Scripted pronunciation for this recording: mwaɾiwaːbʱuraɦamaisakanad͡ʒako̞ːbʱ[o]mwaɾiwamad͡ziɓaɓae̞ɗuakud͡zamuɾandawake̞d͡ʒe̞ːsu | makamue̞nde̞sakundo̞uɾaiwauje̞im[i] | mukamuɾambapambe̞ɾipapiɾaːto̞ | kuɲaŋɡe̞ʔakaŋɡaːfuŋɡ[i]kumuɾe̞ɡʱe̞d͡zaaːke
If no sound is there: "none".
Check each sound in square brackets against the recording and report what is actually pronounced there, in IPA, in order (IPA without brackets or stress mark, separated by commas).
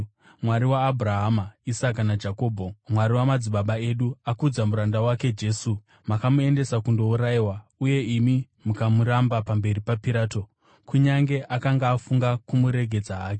o, i, a